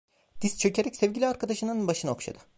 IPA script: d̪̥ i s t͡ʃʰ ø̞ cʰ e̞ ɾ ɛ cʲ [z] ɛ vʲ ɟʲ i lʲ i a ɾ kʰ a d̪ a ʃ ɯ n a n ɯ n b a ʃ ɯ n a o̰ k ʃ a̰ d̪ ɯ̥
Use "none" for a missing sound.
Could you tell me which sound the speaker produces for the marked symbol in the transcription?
s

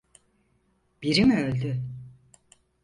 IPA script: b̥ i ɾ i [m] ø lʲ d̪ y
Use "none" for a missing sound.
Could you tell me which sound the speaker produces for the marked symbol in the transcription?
m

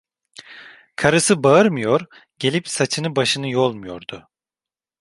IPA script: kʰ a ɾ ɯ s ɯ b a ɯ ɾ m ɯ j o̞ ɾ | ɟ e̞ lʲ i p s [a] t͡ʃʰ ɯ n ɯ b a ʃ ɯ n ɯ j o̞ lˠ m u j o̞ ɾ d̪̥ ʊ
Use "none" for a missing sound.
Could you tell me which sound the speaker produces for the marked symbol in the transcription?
a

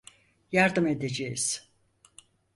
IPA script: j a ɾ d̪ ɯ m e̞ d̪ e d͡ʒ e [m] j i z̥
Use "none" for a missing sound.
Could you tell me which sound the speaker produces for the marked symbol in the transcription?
none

